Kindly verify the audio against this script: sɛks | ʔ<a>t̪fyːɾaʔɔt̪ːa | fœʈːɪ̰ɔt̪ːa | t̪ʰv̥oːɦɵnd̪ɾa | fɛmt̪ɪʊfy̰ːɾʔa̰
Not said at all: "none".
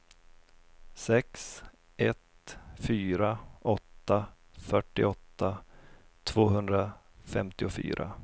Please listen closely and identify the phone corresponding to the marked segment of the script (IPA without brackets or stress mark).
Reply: ɛ